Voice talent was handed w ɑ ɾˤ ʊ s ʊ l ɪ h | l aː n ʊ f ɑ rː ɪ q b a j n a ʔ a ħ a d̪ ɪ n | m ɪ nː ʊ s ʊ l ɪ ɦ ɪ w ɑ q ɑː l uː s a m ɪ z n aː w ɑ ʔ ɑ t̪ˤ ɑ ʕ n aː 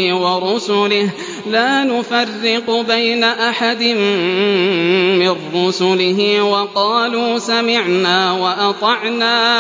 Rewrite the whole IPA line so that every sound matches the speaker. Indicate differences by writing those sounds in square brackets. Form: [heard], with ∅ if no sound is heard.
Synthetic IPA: w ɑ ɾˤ ʊ s ʊ l ɪ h | l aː n ʊ f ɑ rː ɪ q b a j n a ʔ a ħ a d̪ ɪ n | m ɪ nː ʊ s ʊ l ɪ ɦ ɪ w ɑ q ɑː l uː s a m ɪ [ʕ] n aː w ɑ ʔ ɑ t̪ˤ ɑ ʕ n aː